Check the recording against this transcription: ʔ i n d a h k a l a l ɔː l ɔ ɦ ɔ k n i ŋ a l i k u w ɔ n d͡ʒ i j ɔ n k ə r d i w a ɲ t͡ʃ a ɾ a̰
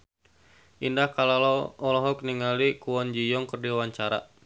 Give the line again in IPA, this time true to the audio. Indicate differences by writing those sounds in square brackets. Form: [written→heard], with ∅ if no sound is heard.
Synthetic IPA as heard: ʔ i n d a h k a l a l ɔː l ɔ ɦ ɔ k n i ŋ a l i k u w ɔ n d͡ʒ i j ɔ [n→ŋ] k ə r d i w a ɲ t͡ʃ a ɾ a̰